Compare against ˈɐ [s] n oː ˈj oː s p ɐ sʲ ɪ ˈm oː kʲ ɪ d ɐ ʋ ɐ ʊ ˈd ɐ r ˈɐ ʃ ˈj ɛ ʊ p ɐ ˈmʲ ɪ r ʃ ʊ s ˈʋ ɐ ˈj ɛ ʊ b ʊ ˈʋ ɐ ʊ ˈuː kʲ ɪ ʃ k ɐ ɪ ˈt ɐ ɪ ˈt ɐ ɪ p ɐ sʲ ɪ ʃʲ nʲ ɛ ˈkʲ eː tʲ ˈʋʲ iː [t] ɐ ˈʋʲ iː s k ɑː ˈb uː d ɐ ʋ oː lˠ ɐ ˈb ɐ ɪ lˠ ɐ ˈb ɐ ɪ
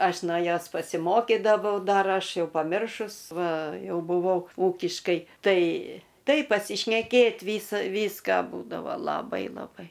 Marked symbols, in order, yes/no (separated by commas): no, no